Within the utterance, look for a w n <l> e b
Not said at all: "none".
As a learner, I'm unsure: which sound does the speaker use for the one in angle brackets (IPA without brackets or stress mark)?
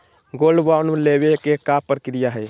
l